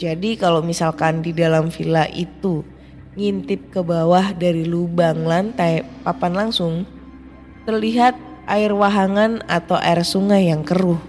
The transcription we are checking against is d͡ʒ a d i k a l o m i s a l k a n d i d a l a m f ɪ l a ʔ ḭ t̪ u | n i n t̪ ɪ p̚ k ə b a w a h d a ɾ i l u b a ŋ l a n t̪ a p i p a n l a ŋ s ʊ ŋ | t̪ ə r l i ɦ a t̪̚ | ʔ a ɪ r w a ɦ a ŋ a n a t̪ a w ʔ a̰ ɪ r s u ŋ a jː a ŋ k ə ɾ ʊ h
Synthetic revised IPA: d͡ʒ a d i k a l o m i s a l k a n d i d a l a m f i l a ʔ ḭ t̪ u | ŋ i n t̪ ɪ p̚ k ə b a w a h d a ɾ i l u b a ŋ l a n t̪ a p a p a n l a ŋ s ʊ ŋ | t̪ ə r l i ɦ a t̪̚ | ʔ a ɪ r w a ɦ a ŋ a n a t̪ a w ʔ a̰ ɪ r s u ŋ a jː a ŋ k ə ɾ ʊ h